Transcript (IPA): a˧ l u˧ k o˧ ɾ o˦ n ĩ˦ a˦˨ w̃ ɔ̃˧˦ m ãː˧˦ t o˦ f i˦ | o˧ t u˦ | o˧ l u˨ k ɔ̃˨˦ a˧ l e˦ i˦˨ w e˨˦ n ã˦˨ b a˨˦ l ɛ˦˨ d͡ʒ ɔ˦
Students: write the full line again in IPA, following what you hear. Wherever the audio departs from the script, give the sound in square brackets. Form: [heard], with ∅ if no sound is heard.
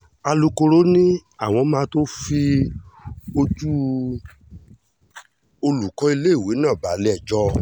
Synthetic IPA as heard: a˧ l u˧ k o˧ ɾ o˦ n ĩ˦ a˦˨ w̃ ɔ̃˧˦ m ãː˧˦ t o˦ f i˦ | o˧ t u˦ | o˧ l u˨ k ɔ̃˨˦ [i˧] l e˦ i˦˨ w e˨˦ n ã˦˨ b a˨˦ l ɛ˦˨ d͡ʒ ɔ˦